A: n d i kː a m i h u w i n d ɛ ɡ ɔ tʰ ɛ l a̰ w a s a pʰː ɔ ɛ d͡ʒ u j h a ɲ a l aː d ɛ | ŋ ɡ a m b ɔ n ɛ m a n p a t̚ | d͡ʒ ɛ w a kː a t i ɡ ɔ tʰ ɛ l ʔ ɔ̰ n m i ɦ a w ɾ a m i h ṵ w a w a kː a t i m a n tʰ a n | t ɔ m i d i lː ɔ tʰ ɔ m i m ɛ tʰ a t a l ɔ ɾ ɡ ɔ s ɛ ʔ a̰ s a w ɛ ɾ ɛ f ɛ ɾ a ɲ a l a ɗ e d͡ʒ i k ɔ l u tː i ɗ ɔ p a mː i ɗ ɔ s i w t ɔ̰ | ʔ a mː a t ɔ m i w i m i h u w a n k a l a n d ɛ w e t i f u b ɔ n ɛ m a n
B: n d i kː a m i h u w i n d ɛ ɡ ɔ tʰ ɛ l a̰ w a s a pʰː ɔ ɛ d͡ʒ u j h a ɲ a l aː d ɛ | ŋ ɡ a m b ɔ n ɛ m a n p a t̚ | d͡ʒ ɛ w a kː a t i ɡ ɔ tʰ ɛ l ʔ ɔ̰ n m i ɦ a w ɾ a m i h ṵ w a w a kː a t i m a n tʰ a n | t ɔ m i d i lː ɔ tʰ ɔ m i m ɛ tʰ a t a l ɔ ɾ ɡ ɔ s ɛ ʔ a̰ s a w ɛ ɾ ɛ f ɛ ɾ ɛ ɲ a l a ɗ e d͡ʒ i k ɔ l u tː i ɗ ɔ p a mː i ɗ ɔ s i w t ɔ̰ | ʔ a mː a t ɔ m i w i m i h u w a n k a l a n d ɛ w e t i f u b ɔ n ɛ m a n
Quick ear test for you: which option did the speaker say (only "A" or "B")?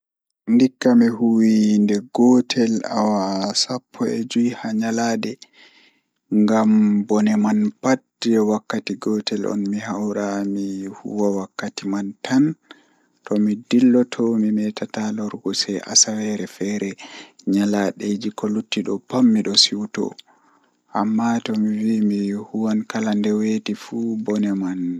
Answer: B